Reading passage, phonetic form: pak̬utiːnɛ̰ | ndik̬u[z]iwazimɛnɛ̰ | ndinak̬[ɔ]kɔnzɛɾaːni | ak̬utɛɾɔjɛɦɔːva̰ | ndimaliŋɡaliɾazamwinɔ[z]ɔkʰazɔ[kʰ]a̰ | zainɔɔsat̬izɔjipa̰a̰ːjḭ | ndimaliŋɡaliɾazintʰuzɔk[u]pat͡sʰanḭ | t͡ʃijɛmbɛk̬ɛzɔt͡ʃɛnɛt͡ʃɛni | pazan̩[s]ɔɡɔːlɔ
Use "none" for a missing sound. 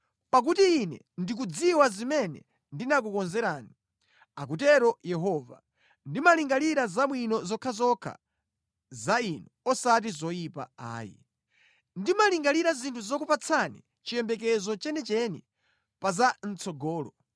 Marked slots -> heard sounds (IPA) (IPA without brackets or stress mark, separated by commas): d͡z, u, z, kʰ, u, t͡s